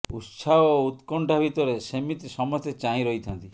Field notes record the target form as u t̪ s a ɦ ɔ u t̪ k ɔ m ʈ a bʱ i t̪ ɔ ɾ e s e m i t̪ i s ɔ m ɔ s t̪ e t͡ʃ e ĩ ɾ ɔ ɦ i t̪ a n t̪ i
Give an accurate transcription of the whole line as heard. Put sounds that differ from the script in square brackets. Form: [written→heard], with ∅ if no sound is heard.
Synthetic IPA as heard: u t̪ s a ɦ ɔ u t̪ k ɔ [m→ɳ] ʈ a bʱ i t̪ ɔ ɾ e s e m i t̪ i s ɔ m ɔ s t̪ e t͡ʃ [e→a] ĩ ɾ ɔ ɦ i [t̪→t̪ʰ] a n t̪ i

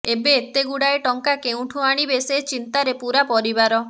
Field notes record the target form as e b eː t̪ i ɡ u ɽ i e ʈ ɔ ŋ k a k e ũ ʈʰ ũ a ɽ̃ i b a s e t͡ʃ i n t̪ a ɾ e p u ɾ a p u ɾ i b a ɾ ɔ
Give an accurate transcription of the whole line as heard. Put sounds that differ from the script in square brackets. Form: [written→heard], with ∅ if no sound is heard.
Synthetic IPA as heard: e b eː t̪ [i→e] ɡ u ɽ [i→a] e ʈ ɔ ŋ k a k e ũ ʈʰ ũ a ɽ̃ i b [a→e] s e t͡ʃ i n t̪ a ɾ e p u ɾ a p [u→ɔ] ɾ i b a ɾ ɔ

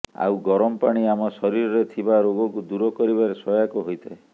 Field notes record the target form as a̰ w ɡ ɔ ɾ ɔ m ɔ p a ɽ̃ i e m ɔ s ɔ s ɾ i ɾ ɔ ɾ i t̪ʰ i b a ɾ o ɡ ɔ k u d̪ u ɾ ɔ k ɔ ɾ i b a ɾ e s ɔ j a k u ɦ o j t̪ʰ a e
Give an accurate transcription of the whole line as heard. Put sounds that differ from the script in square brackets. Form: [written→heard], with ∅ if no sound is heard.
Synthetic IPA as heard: a̰ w ɡ ɔ ɾ ɔ m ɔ p a ɽ̃ i [e→a] m ɔ s ɔ [s→∅] ɾ i ɾ ɔ ɾ [i→e] t̪ʰ i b a ɾ o ɡ ɔ k u d̪ u ɾ ɔ k ɔ ɾ i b a ɾ e s ɔ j a k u ɦ o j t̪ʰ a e

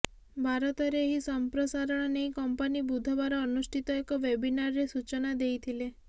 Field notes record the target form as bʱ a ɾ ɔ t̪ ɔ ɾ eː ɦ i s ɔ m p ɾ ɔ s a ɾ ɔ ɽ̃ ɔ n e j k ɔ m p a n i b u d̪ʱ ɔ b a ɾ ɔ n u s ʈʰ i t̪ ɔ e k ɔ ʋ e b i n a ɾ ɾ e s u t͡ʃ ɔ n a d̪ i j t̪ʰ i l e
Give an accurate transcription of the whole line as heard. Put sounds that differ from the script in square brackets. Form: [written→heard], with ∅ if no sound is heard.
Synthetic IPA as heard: bʱ a ɾ ɔ t̪ ɔ ɾ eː ɦ i s ɔ m p ɾ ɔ s a ɾ ɔ ɽ̃ ɔ n e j k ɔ m p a n i b u d̪ʱ ɔ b a ɾ [ɔ→ɔː] n u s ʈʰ i t̪ ɔ e k ɔ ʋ e b i n a ɾ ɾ e s u t͡ʃ ɔ n a d̪ [i→e] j t̪ʰ i l e

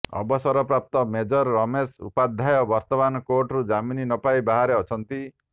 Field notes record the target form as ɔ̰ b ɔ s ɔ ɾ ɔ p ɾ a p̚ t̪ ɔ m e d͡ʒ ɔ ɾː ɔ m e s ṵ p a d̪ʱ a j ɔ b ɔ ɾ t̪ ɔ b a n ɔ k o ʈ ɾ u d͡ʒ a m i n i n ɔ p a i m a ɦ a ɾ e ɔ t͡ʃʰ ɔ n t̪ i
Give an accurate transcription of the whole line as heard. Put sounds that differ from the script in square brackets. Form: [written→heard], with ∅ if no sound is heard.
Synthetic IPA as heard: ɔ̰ b ɔ s ɔ ɾ ɔ p ɾ a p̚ t̪ ɔ m e d͡ʒ ɔ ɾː ɔ m e s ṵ p a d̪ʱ a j ɔ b ɔ ɾ t̪ ɔ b a n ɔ k o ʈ ɾ u d͡ʒ a m i n i n ɔ p a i [m→b] a ɦ a ɾ e ɔ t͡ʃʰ ɔ n t̪ i

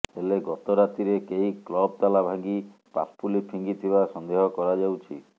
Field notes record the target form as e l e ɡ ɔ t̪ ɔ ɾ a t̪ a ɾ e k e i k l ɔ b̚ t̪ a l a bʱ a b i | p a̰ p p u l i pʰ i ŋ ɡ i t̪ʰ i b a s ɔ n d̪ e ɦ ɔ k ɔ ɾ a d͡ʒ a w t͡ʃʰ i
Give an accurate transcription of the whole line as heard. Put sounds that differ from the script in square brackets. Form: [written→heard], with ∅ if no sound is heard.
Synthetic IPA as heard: e l e ɡ ɔ t̪ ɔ ɾ a t̪ [a→i] ɾ e k e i k l ɔ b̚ t̪ a l a bʱ a [b→ɡ] i | p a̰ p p u l i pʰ i ŋ ɡ i t̪ʰ i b a s ɔ n d̪ e ɦ ɔ k ɔ ɾ a d͡ʒ a w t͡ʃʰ i

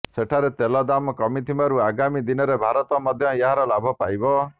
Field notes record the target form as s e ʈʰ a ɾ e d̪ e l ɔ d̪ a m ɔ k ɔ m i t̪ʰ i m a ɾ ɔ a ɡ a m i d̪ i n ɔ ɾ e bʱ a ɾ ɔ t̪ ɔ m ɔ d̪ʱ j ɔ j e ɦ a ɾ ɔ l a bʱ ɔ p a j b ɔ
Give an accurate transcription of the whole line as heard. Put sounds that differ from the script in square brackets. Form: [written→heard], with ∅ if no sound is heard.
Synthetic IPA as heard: s e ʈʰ a ɾ e [d̪→t̪] e l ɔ d̪ a m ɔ k ɔ m i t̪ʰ i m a ɾ [ɔ→u] a ɡ a m i d̪ i n ɔ ɾ e bʱ a ɾ ɔ t̪ ɔ m ɔ d̪ʱ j ɔ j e ɦ a ɾ ɔ l a bʱ ɔ p a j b ɔ

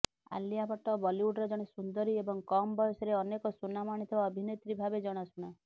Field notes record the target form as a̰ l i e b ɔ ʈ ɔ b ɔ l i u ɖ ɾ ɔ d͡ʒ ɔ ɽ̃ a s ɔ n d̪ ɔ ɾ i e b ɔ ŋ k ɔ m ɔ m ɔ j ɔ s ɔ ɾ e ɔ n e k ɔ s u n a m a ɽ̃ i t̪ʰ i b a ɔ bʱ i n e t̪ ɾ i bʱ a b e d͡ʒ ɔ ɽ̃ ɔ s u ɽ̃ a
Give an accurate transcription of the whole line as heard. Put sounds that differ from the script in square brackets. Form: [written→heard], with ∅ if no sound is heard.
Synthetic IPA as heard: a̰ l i [e→a] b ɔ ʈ ɔ b ɔ l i u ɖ ɾ ɔ d͡ʒ ɔ ɽ̃ [a→e] s [ɔ→u] n d̪ ɔ ɾ i e b ɔ ŋ k ɔ m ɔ [m→b] ɔ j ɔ s ɔ ɾ e ɔ n e k ɔ s u n a m a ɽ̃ i t̪ʰ i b a ɔ bʱ i n e t̪ ɾ i bʱ a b e d͡ʒ ɔ ɽ̃ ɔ s u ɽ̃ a

